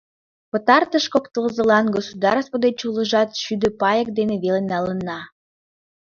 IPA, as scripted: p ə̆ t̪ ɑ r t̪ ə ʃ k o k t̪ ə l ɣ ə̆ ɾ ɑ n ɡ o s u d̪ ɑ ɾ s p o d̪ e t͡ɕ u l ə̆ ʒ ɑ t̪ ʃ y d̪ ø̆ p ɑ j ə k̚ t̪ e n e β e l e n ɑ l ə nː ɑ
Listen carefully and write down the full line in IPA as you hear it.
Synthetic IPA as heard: p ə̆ t̪ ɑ r t̪ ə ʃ k o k t̪ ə l z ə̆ l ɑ n ɡ o s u d̪ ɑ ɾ s p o d̪ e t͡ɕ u l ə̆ ʒ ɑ t̪ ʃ y d̪ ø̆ p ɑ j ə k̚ d̪ e n e β e l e n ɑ l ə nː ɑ